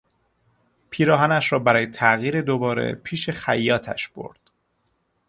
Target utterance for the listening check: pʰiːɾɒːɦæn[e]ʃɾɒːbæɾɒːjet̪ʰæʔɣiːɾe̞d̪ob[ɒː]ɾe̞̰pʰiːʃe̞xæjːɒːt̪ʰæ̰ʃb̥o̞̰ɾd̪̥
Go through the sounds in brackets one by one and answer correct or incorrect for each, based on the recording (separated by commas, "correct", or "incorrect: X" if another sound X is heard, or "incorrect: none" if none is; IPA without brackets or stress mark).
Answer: incorrect: æ, correct